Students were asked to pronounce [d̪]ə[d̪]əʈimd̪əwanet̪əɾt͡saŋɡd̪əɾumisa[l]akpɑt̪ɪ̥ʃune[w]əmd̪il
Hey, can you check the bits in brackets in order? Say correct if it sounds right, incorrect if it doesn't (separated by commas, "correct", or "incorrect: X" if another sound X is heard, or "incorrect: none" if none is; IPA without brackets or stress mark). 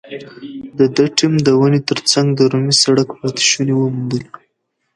correct, correct, incorrect: ɽ, correct